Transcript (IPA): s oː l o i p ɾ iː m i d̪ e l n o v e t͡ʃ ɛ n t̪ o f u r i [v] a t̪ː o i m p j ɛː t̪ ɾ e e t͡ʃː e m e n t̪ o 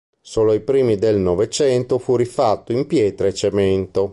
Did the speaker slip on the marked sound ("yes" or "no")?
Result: yes